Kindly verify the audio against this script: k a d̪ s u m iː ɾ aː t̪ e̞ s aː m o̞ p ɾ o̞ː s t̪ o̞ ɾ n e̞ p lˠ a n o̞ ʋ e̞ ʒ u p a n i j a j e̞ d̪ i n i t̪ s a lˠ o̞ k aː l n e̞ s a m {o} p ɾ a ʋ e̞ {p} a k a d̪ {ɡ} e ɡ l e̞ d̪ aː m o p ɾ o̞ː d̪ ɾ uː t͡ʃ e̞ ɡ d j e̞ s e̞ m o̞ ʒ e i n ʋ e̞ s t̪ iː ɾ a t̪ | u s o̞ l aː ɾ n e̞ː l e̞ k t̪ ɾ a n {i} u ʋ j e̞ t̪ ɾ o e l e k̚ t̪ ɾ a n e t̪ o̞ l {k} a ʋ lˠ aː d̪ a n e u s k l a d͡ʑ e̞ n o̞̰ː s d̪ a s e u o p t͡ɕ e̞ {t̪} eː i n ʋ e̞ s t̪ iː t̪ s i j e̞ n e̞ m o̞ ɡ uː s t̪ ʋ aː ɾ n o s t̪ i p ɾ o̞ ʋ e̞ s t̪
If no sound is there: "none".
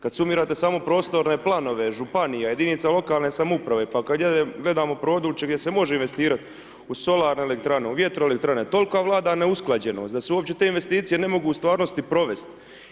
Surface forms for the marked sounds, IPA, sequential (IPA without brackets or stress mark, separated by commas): u, p, ɡ, e, k, t̪